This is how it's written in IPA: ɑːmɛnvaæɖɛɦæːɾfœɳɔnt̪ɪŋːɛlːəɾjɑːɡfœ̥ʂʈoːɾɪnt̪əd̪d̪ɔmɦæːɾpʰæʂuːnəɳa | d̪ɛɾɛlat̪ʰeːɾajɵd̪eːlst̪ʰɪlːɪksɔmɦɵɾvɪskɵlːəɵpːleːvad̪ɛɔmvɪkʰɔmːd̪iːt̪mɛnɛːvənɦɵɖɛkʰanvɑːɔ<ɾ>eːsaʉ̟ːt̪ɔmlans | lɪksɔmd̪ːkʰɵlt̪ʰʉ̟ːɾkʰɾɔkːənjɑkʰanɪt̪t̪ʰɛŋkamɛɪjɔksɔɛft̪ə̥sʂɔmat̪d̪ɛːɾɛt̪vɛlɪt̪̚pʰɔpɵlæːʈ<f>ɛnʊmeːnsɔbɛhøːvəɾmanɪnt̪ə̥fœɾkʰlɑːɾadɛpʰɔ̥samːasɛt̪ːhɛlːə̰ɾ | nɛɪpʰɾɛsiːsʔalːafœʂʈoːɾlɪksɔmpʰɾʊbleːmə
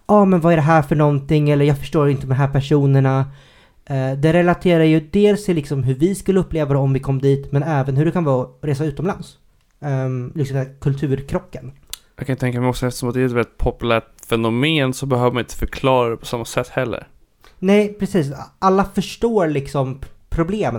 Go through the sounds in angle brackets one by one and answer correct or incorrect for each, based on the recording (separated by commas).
correct, correct